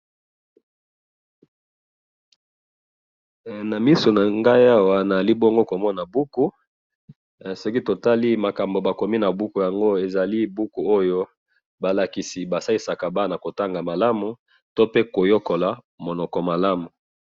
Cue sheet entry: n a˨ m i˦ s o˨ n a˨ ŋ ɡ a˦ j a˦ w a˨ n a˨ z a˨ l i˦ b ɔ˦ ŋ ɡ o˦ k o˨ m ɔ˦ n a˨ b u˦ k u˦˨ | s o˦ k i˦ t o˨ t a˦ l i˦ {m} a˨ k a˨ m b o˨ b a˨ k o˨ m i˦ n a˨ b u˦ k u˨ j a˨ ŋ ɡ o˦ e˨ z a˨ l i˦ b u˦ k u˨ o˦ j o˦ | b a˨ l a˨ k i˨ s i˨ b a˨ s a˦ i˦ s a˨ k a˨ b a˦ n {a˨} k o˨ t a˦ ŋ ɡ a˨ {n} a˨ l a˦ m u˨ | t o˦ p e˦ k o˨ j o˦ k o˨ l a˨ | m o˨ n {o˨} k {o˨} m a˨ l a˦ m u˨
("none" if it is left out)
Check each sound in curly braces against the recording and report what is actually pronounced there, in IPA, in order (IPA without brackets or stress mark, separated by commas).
m, a˨, m, ɔ˨, ɔ˨